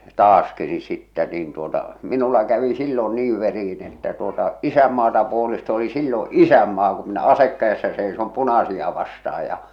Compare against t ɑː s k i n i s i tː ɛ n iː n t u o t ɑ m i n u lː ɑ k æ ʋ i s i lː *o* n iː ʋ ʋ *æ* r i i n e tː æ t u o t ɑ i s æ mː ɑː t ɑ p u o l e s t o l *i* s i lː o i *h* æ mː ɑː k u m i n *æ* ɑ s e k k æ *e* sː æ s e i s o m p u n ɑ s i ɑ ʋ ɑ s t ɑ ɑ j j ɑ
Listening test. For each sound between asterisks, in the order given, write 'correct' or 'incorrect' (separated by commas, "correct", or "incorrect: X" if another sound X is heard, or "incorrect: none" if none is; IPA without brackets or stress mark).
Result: correct, incorrect: e, correct, incorrect: s, correct, correct